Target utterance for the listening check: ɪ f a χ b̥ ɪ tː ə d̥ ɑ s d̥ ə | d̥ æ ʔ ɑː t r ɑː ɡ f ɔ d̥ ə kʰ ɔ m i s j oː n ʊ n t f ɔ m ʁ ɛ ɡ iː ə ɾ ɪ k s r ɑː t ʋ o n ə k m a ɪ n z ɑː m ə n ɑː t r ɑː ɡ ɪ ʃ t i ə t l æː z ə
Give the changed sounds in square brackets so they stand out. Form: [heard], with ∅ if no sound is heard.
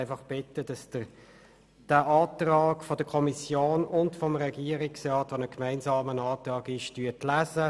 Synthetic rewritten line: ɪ f [ɑ] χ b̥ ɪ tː ə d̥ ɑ s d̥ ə | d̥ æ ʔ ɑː t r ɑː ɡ f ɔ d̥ ə kʰ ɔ m i s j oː n ʊ n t f ɔ m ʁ ɛ ɡ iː ə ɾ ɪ k s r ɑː t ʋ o n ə k m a ɪ n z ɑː m ə n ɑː t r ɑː ɡ ɪ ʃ t [y] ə t l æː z ə